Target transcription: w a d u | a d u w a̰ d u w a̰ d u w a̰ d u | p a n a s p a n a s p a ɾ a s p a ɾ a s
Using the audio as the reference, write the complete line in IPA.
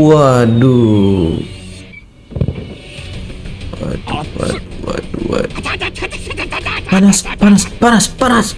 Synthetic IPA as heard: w a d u | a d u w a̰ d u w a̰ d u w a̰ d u | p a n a s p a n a s p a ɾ a s p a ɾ a s